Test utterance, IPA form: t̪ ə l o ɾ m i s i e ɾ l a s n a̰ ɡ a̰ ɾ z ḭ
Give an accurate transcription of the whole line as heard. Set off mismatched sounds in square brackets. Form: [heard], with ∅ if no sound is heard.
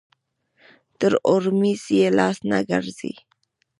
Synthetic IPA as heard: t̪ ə [ɾ] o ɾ m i s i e [∅] l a s n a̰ ɡ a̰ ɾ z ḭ

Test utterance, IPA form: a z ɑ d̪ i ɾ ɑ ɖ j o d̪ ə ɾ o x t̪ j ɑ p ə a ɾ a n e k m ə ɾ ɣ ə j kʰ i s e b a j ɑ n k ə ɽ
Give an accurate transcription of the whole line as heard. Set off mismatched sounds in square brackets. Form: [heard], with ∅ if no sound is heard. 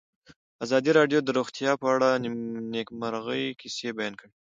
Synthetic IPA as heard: a z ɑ d̪ i ɾ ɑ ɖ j o d̪ ə ɾ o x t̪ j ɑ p ə a [ɽ] a n e k m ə ɾ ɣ ə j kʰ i s e b a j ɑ n k ə ɽ

